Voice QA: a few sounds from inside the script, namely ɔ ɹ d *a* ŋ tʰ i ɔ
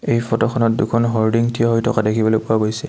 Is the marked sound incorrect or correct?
incorrect: i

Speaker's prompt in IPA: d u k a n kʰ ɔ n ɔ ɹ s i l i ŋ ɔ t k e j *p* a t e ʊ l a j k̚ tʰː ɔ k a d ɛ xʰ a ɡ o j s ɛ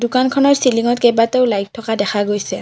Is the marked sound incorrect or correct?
incorrect: b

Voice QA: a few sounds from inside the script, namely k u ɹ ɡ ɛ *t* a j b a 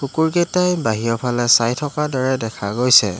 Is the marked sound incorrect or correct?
correct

